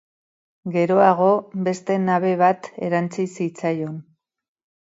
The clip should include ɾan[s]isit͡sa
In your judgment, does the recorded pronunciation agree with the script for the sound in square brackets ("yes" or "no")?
no